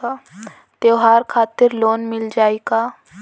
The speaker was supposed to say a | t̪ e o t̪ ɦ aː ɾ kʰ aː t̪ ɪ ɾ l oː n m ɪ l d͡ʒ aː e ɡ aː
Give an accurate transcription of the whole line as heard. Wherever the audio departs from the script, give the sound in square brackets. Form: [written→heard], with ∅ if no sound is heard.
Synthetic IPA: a | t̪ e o [t̪→∅] ɦ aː ɾ kʰ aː t̪ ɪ ɾ l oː n m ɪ l d͡ʒ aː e ɡ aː